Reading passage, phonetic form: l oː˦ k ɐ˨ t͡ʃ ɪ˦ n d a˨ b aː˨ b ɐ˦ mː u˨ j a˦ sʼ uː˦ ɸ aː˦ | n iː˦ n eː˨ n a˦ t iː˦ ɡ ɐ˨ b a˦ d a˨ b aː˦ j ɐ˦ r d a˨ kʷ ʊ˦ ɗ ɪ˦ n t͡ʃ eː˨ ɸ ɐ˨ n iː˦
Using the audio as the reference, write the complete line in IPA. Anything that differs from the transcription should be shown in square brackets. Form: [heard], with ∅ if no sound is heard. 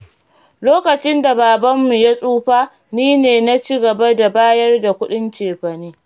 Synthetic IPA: l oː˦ k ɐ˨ t͡ʃ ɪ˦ n d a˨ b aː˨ b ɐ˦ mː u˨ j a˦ sʼ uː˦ ɸ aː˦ | n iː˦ n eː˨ n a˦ [t͡ʃ] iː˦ ɡ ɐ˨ b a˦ d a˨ b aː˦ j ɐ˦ r d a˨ kʷ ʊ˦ ɗ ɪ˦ n t͡ʃ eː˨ ɸ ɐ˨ n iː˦